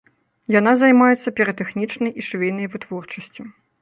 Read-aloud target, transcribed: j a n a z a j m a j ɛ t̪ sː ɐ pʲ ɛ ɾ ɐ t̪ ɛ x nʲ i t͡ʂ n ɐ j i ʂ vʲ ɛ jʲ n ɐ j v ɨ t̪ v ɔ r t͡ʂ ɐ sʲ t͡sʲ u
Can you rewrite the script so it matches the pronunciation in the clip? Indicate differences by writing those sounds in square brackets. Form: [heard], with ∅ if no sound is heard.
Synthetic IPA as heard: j a n a z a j m a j ɛ t̪ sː ɐ pʲ ɛ ɾ ɐ t̪ ɛ x nʲ i t͡ʂ n ɐ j i ʂ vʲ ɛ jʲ n ɐ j v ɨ t̪ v ɔ r t͡ʂ ɐ sʲ t͡sʲ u